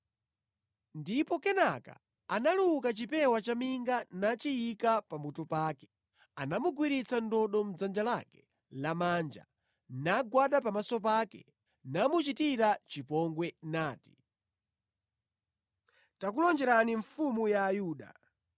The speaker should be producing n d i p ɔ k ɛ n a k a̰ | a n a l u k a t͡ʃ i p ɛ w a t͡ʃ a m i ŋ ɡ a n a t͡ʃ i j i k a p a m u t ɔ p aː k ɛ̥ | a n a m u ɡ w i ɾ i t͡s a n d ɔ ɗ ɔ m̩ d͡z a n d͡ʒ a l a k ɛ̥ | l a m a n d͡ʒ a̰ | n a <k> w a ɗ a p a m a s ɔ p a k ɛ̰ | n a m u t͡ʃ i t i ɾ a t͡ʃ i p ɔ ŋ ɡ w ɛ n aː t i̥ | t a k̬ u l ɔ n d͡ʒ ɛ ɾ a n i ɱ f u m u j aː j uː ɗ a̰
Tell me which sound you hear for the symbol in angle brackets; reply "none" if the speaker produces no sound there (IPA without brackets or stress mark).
ɡ